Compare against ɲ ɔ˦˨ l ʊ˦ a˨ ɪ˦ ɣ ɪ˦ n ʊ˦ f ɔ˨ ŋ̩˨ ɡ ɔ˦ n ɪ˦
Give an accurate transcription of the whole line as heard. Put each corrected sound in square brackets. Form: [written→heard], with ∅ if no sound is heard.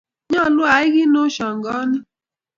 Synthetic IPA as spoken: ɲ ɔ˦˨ l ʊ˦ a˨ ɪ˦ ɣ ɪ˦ n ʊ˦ [f→ʃ] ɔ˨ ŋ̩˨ ɡ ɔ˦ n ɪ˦

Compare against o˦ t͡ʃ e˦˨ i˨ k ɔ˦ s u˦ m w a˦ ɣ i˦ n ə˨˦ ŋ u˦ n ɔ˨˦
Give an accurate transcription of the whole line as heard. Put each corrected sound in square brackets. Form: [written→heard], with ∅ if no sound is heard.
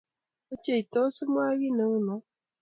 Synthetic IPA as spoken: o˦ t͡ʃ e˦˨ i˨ [k→t] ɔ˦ s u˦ m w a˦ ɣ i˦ n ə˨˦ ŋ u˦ n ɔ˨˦

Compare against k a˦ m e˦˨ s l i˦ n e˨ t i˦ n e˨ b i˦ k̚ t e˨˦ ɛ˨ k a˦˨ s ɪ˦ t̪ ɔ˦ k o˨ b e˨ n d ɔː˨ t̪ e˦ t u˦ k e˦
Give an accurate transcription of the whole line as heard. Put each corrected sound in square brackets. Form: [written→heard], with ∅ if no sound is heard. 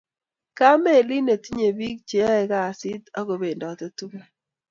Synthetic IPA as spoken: k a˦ m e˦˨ [s→∅] l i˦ n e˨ t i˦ [n→ɲ] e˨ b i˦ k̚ [t→t͡ʃ] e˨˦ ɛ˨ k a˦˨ s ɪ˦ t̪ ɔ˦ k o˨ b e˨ n d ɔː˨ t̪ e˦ t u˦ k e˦

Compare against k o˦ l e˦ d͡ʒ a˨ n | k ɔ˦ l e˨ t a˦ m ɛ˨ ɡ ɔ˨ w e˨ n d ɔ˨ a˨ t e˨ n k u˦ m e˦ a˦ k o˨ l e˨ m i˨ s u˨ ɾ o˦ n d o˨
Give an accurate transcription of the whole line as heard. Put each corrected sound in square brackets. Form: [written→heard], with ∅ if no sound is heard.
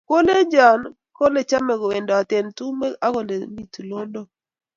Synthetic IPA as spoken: k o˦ l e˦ d͡ʒ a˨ n | k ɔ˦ l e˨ [t→t͡ʃ] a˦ m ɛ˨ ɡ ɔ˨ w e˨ n d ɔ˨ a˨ t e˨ n [k→t] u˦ m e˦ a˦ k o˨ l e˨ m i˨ [s→t] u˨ [ɾ→l] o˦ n d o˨

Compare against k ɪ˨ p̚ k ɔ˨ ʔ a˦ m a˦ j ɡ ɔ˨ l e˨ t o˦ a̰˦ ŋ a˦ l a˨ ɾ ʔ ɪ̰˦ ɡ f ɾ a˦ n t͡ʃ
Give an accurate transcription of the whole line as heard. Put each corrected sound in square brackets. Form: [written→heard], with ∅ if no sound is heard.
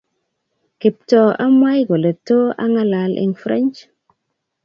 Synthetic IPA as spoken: k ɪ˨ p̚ [k→t] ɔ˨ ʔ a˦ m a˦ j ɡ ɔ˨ l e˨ t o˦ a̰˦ ŋ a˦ l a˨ [ɾ→l] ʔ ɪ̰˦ [ɡ→ŋ] f ɾ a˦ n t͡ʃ

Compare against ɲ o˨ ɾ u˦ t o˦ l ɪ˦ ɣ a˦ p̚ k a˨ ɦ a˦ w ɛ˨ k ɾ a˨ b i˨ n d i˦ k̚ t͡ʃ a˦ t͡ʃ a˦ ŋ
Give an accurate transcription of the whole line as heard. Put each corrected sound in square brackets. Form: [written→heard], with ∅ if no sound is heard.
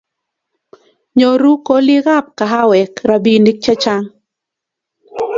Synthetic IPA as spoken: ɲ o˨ ɾ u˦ [t→k] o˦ l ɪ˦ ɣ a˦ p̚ k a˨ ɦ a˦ w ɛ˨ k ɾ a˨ b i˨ n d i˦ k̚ t͡ʃ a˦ t͡ʃ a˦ ŋ

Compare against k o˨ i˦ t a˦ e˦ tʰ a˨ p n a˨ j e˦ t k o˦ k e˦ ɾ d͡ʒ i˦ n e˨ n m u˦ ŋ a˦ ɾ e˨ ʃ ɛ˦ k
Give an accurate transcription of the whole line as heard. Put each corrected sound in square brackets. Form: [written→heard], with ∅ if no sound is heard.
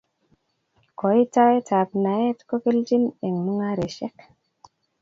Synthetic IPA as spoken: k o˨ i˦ t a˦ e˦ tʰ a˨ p n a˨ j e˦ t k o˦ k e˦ [ɾ→l] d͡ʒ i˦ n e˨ [n→ŋ] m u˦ ŋ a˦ ɾ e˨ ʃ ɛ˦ k

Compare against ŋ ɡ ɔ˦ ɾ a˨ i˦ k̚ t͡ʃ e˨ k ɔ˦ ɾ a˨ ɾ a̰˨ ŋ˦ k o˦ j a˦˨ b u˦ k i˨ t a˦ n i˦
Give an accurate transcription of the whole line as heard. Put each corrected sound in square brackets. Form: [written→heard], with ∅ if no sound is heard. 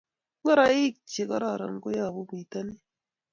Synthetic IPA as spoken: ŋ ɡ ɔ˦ ɾ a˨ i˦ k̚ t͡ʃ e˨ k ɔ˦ ɾ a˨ ɾ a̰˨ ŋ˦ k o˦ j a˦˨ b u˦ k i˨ t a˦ n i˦

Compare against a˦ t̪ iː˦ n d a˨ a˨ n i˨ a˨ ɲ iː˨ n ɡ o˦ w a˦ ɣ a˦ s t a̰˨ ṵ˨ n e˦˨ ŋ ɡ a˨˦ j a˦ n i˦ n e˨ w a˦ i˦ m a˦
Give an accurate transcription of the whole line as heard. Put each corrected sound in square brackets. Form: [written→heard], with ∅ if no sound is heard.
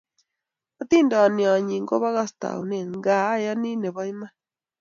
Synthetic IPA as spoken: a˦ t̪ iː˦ n d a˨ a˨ n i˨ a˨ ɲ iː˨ [n→ŋ] ɡ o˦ [w→β] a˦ ɣ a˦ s t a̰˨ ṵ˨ n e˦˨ ŋ ɡ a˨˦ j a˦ n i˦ n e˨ [w→β] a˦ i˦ m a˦

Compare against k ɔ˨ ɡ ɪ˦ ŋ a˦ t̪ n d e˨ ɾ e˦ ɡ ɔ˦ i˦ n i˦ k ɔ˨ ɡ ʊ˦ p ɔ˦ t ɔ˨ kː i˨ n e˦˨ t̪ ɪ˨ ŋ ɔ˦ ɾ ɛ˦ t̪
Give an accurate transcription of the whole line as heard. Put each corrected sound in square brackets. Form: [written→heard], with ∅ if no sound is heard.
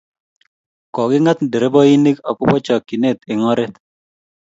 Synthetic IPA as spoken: k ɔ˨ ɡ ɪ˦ ŋ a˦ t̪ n d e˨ ɾ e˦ [ɡ→b] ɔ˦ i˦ n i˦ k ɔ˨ [ɡ→k] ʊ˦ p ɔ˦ [t→t͡ʃ] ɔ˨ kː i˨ n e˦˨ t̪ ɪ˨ ŋ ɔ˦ ɾ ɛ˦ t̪

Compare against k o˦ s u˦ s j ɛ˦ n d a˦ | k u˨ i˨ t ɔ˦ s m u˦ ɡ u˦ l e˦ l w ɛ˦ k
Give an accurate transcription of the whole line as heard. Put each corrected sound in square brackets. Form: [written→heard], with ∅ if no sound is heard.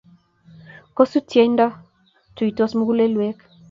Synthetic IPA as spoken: k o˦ s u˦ [s→t] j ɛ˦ n d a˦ | [k→t] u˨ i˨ t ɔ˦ s m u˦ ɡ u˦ l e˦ l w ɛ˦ k

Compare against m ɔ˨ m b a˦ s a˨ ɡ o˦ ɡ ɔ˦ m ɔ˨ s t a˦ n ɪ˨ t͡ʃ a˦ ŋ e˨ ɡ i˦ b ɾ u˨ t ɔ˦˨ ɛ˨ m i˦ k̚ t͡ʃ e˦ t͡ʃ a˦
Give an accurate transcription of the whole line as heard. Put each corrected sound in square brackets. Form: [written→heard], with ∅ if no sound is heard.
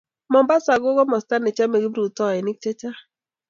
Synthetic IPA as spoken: m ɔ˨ m b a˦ s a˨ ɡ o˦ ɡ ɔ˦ m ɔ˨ s t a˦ n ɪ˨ t͡ʃ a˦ [ŋ→m] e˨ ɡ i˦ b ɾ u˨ t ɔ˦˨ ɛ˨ [m→n] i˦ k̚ t͡ʃ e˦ t͡ʃ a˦

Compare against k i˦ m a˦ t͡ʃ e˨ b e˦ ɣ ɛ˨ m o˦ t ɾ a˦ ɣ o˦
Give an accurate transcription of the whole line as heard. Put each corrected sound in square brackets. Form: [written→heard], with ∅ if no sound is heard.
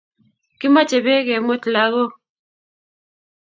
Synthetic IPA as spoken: k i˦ m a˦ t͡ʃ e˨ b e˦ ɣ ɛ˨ m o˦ t [ɾ→l] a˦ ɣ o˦

